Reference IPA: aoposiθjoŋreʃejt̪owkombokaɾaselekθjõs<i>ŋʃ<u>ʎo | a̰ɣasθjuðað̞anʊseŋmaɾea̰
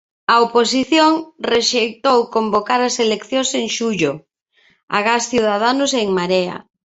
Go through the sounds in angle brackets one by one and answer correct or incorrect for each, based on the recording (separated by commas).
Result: incorrect, correct